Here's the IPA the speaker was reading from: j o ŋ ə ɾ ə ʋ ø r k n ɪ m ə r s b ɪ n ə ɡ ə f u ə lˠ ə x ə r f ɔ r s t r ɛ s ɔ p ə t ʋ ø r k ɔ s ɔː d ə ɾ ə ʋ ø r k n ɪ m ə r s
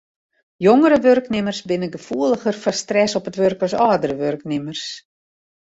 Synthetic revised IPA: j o ŋ ə ɾ ə ʋ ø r k n ɪ m ə r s b ɪ n ə ɡ ə f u ə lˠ ə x ə r f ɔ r s t r ɛ s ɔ p ə t ʋ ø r k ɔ s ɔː d ə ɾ ə ʋ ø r k n ɪ m ə r s